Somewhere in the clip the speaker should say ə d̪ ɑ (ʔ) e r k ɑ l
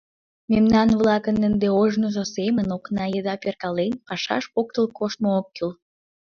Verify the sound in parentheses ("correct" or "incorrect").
incorrect